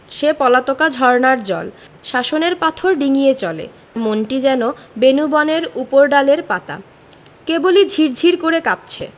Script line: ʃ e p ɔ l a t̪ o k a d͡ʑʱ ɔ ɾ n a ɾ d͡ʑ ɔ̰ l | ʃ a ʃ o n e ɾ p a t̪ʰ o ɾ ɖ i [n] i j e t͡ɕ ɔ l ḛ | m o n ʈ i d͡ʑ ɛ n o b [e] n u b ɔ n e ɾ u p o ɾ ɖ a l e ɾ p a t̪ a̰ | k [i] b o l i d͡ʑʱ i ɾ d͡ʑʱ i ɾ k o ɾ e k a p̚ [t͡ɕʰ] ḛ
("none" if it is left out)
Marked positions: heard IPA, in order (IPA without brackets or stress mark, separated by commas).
ŋ, e, e, t͡ɕʰ